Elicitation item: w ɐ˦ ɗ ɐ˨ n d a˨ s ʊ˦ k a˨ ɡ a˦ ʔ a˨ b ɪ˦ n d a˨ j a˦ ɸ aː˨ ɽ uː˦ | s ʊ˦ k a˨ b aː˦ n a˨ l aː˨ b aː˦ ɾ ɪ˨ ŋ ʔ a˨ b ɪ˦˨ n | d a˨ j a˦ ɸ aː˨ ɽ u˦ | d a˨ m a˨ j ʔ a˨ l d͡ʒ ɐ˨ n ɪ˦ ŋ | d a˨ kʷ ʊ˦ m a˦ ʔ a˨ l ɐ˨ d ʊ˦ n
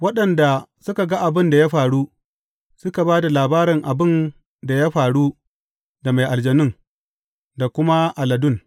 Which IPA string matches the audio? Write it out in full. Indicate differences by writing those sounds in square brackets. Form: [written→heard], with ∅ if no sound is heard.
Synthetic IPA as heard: w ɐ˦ ɗ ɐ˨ n d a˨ s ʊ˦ k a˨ ɡ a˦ ʔ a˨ b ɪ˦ n d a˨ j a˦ ɸ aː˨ ɽ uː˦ | s ʊ˦ k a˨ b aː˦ [n→d] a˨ l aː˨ b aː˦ ɾ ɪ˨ ŋ ʔ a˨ b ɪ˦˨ n | d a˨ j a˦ ɸ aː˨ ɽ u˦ | d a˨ m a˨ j ʔ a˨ l d͡ʒ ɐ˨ n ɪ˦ ŋ | d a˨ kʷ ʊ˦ m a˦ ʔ a˨ l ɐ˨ d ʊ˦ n